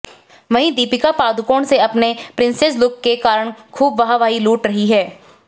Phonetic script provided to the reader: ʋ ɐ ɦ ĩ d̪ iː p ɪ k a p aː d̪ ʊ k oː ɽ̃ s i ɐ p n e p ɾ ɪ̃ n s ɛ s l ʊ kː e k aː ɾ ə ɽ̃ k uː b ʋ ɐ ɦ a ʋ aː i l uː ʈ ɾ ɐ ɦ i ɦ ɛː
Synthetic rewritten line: ʋ ɐ ɦ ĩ d̪ iː p ɪ k a p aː d̪ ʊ k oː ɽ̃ s e ɐ p n e p ɾ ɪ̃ n s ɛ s l ʊ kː e k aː ɾ ə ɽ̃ kʰ uː b ʋ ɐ ɦ a ʋ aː i l uː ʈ ɾ ɐ ɦ i ɦ ɛː